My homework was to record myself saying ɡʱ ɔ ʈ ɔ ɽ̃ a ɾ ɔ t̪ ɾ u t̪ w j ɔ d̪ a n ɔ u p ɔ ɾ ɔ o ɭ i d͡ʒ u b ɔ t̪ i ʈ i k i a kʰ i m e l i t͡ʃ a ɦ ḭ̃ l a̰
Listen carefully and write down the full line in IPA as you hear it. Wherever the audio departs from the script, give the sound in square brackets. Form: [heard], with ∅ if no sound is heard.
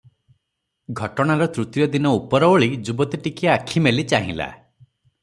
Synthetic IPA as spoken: ɡʱ ɔ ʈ ɔ ɽ̃ a ɾ ɔ t̪ ɾ u t̪ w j ɔ d̪ [i] n ɔ u p ɔ ɾ ɔ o ɭ i d͡ʒ u b ɔ t̪ i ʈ i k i a kʰ i m e l i t͡ʃ a ɦ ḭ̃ l a̰